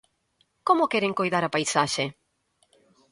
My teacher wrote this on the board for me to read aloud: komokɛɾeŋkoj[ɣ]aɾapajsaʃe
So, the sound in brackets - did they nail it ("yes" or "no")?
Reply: no